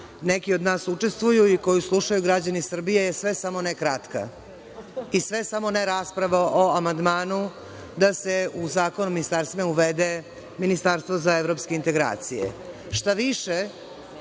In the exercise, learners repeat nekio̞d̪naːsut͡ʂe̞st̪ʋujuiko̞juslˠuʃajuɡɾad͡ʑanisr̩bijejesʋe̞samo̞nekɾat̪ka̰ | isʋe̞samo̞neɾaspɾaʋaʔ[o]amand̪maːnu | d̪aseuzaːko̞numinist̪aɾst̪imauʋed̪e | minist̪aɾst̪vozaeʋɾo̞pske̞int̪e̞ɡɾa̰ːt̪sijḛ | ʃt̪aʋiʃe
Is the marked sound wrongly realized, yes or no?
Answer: no